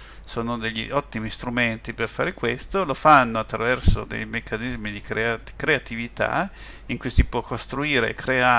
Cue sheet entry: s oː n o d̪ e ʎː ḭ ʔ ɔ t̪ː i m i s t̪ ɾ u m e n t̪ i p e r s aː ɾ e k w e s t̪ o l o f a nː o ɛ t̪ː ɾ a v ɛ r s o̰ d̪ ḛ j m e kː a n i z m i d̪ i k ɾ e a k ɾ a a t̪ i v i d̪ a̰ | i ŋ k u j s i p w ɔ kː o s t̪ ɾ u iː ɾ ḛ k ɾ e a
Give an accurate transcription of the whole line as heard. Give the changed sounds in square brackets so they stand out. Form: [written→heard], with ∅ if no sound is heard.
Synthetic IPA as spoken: s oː n o d̪ e ʎː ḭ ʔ ɔ t̪ː i m i s t̪ ɾ u m e n t̪ i p e r [s→f] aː ɾ e k w e s t̪ o l o f a nː o [ɛ→a] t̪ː ɾ a v ɛ r s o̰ d̪ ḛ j m e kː a n i z m i d̪ i k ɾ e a k ɾ [a→e] a t̪ i v i [d̪→t̪] a̰ | i ŋ k u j s i p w ɔ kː o s t̪ ɾ u iː ɾ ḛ k ɾ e a